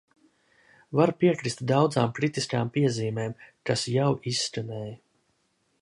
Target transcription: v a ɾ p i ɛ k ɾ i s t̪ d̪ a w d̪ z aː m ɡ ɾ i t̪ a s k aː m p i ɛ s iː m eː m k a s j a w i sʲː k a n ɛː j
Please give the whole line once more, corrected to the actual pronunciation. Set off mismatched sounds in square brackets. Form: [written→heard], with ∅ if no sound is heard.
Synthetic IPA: v a ɾ p i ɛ k ɾ i s t̪ d̪ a w d̪ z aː m [ɡ→k] ɾ i t̪ [a→i] s k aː m p i ɛ [s→z] iː m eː m k a s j a w i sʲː k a n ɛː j

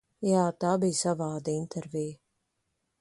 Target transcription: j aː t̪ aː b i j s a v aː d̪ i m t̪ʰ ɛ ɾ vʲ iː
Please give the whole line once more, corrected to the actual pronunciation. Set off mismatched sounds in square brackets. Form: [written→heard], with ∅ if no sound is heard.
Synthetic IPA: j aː t̪ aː b i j s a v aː d̪ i [m→n] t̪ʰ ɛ ɾ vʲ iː

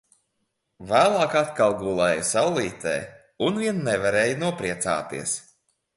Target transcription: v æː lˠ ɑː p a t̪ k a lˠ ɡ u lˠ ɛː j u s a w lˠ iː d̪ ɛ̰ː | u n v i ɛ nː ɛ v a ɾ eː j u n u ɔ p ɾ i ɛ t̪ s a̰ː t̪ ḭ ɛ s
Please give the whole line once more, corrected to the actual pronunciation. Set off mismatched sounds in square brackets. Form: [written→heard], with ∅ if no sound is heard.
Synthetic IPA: v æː lˠ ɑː [p→k] a t̪ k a lˠ ɡ u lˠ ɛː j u s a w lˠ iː [d̪→t̪] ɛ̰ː | u n v i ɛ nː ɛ v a ɾ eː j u n u ɔ p ɾ i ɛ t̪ s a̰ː t̪ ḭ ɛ s

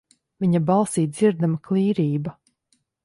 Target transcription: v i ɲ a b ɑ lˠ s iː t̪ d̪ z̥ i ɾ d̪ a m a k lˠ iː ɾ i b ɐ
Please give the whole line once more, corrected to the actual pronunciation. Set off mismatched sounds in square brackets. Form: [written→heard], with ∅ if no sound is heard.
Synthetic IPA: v i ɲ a b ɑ lˠ s iː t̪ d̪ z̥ i ɾ d̪ a m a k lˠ iː ɾ [i→iː] b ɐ

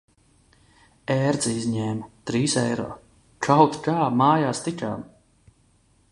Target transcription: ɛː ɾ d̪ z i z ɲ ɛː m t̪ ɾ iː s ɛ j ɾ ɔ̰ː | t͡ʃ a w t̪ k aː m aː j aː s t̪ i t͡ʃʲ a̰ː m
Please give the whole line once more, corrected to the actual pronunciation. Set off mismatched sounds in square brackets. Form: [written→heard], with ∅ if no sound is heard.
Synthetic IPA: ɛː ɾ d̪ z i z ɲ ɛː m t̪ ɾ iː s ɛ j ɾ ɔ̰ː | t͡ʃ a w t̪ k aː m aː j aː s t̪ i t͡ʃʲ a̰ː m

